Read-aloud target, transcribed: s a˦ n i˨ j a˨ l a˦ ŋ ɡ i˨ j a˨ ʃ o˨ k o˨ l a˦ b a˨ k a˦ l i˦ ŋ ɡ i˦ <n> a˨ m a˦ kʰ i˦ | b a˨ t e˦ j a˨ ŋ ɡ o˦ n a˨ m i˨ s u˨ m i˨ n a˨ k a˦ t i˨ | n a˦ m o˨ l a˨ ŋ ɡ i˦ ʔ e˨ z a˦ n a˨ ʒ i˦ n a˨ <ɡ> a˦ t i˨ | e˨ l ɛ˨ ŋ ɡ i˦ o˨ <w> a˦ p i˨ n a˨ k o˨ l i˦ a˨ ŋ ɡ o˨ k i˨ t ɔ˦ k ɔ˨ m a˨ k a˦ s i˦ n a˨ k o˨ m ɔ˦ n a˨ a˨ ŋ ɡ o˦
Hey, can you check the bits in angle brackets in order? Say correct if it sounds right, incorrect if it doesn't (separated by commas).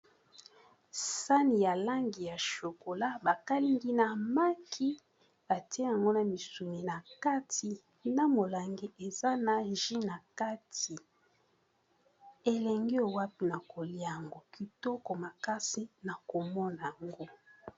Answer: correct, incorrect, correct